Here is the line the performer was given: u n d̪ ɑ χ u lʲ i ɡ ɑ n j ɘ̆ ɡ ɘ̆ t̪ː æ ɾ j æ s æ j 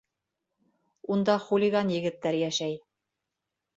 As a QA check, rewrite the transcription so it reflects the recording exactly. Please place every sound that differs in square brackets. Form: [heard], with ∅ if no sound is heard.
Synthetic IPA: u n d̪ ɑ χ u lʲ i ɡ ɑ n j ɘ̆ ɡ ɘ̆ t̪ː æ ɾ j æ [ʃ] æ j